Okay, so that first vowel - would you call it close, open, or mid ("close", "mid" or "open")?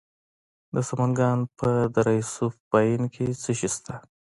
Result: mid